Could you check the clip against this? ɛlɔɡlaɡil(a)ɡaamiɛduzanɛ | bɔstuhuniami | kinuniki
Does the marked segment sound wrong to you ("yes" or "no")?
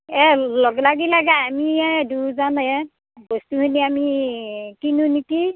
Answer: no